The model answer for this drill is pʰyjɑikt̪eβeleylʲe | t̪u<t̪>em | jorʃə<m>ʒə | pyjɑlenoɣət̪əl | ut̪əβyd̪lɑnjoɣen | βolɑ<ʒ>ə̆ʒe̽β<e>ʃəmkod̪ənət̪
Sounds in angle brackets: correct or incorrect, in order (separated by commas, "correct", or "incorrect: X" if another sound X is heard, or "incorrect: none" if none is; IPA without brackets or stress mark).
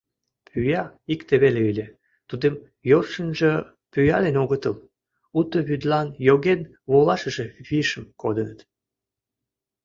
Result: incorrect: d̪, incorrect: n, incorrect: ʃ, incorrect: i